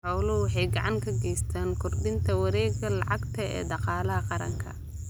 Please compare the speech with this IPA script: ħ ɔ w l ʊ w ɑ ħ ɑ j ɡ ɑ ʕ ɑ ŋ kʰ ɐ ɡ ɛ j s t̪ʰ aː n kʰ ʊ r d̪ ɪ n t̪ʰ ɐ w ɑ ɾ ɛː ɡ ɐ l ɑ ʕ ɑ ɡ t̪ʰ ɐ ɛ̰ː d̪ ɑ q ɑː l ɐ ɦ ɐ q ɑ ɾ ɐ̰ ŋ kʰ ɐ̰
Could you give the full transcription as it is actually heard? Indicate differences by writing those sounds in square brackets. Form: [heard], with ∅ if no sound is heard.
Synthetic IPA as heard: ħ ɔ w l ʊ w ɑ ħ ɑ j ɡ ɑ ʕ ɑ ŋ kʰ ɐ ɡ ɛ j s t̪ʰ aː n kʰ ʊ r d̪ ɪ n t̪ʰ ɐ w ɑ ɾ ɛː ɡ ɐ l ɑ ʕ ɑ ɡ t̪ʰ ɐ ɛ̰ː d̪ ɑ q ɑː l ɐ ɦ ɐ q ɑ ɾ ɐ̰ ŋ kʰ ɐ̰

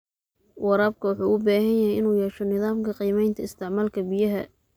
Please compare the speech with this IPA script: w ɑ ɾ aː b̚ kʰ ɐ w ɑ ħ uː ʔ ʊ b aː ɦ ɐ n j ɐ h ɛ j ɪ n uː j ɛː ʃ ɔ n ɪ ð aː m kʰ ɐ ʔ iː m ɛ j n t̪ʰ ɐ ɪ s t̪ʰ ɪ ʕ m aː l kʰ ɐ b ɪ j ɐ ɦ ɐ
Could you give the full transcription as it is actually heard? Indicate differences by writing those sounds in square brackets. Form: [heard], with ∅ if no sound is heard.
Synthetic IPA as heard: w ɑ ɾ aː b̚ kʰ ɐ w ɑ ħ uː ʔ ʊ b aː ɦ ɐ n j ɐ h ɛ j ɪ n uː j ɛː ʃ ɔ n ɪ ð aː m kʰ ɐ [q] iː m ɛ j n t̪ʰ ɐ ɪ s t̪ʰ ɪ ʕ m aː l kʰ ɐ b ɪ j ɐ ɦ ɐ

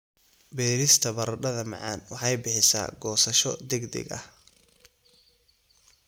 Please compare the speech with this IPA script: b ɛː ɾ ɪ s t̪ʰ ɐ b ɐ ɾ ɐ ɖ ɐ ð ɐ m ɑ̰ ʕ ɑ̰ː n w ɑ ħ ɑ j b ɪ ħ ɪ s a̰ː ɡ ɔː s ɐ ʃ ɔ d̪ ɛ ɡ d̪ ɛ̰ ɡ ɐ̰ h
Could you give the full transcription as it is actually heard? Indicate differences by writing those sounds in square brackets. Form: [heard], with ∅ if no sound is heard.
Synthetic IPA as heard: b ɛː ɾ ɪ s t̪ʰ ɐ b ɐ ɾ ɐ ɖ ɐ ð ɐ m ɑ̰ ʕ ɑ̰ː n w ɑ ħ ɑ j b ɪ ħ ɪ s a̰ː ɡ ɔː s ɐ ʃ ɔ d̪ ɛ ɡ d̪ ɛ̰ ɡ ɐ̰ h

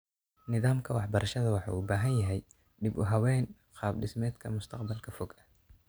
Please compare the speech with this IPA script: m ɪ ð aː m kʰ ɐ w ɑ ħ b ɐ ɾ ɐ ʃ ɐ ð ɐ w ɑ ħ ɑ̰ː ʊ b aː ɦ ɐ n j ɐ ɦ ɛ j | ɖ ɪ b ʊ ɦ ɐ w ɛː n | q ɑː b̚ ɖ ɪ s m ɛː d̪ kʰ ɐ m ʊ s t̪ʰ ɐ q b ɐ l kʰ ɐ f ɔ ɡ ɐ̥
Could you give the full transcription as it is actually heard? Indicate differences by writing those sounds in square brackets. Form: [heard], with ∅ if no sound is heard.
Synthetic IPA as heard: [n] ɪ ð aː m kʰ ɐ w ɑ ħ b ɐ ɾ ɐ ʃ ɐ ð ɐ w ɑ ħ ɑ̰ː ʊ b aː ɦ ɐ n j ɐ ɦ ɛ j | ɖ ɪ b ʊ ɦ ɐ w ɛː n | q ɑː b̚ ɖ ɪ s m ɛː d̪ kʰ ɐ m ʊ s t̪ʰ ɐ q b ɐ l kʰ ɐ f ɔ ɡ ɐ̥

